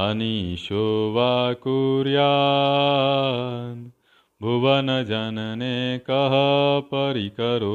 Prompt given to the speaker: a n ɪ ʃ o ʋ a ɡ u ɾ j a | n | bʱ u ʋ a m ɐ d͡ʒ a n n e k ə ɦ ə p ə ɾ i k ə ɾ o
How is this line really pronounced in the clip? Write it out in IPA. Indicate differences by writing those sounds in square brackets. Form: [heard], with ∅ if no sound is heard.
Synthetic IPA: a n [i] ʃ o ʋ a [k] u ɾ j a | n | bʱ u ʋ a [n] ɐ d͡ʒ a n n e k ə ɦ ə p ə ɾ i k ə ɾ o